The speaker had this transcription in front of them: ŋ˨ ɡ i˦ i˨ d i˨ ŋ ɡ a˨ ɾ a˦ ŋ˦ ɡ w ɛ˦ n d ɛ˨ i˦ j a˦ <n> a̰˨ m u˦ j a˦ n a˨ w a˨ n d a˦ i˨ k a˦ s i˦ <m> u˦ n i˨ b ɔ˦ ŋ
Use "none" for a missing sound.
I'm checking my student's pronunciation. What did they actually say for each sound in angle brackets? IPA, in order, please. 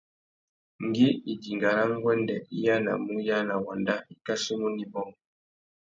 n, m

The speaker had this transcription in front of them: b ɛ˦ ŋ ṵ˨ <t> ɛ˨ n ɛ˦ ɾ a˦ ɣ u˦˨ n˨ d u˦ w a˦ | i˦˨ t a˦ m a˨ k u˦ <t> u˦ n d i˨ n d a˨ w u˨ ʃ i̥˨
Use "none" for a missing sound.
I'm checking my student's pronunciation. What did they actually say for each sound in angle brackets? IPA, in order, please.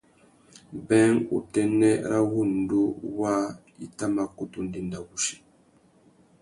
t, t

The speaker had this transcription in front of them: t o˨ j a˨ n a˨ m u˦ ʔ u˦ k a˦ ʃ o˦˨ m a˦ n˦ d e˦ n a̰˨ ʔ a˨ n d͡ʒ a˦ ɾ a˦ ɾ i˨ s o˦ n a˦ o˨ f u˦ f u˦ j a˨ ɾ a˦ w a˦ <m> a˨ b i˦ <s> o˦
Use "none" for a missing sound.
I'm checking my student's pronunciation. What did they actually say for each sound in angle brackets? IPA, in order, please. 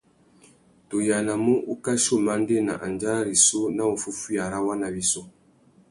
n, s

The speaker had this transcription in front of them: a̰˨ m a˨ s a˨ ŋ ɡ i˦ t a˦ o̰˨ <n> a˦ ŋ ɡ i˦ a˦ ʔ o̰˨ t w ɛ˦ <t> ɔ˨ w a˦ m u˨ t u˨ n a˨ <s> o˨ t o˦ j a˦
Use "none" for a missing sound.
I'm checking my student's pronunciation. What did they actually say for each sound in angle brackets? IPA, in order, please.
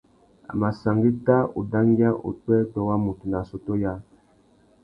d, t, s

